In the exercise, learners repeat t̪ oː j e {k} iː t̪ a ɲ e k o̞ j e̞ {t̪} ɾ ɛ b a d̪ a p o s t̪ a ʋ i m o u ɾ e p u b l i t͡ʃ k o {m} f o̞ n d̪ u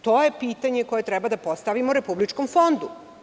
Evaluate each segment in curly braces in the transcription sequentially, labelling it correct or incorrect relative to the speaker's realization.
incorrect, correct, correct

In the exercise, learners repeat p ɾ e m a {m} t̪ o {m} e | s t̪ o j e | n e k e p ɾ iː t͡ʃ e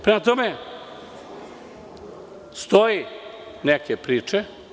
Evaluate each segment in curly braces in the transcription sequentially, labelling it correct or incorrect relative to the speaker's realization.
incorrect, correct

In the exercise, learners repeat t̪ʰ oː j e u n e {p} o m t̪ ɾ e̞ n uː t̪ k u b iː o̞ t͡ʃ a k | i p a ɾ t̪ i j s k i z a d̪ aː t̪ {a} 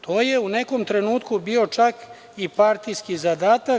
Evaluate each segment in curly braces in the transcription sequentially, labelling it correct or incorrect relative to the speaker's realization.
incorrect, correct

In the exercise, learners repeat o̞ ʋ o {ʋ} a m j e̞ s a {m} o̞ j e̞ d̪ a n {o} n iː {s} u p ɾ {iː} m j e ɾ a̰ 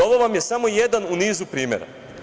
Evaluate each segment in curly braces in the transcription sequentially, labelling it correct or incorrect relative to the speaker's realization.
correct, correct, incorrect, incorrect, correct

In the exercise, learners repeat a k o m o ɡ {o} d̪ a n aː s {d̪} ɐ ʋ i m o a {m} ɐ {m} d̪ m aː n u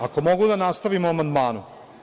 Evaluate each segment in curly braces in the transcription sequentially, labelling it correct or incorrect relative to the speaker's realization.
incorrect, incorrect, correct, incorrect

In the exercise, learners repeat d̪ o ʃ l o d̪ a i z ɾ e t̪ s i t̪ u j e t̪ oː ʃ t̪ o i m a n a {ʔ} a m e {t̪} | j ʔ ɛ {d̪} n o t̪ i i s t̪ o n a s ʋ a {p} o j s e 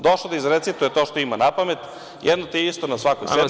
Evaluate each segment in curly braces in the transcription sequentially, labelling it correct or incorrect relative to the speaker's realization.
incorrect, correct, correct, incorrect

